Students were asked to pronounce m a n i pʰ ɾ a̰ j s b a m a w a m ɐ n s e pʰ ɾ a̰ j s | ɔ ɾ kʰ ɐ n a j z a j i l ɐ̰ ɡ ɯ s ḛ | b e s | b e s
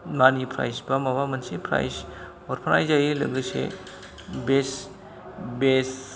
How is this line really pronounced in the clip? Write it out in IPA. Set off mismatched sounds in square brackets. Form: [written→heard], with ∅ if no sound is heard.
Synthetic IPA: m a n i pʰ ɾ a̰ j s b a m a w a m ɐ n s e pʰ ɾ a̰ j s | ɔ ɾ [kʰ→pʰ] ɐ n a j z a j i l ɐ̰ ɡ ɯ s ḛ | b e s | b e s